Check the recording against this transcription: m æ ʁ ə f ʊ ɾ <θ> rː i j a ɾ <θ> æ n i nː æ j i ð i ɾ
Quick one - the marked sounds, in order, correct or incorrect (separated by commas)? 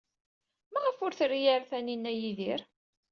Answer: correct, correct